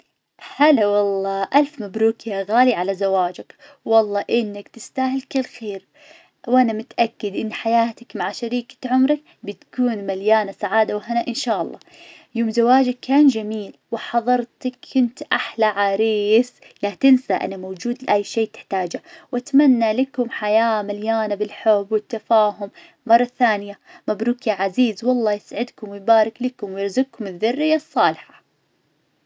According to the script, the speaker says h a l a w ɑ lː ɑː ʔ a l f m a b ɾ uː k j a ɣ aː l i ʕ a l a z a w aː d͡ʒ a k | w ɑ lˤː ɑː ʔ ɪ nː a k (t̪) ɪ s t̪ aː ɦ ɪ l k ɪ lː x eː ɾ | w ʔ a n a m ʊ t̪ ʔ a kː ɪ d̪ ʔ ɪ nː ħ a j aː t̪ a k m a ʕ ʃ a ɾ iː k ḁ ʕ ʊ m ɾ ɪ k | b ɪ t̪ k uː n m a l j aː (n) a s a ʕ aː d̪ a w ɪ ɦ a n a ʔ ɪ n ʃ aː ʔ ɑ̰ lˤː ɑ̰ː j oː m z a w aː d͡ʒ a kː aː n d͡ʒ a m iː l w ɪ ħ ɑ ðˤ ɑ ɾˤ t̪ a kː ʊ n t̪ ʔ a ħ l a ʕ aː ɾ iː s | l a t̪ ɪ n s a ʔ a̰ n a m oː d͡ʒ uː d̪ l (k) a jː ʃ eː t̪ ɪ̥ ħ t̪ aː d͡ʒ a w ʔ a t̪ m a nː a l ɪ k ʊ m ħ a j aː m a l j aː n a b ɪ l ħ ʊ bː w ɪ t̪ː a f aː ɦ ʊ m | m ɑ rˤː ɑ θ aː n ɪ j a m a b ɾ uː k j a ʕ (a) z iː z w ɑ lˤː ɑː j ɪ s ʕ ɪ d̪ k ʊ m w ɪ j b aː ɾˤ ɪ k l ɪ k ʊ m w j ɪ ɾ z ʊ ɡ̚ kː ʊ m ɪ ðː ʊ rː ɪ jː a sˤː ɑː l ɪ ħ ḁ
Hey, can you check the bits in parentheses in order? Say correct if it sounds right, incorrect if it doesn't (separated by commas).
correct, correct, incorrect, correct